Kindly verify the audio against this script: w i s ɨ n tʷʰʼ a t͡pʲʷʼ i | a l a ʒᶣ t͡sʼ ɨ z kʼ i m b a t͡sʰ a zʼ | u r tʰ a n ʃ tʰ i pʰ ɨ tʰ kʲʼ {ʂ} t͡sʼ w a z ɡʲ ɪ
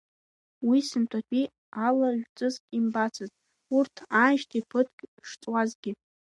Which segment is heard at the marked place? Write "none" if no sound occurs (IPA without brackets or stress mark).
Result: ʂ